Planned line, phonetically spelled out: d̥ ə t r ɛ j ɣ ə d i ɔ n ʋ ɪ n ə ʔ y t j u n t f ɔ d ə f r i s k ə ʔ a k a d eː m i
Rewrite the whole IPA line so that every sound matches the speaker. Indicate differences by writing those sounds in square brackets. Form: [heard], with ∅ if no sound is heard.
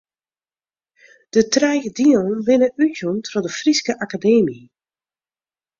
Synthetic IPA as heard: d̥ ə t r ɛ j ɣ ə d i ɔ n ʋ ɪ n ə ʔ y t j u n t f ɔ d ə f r i s k ə ʔ a k a d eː m i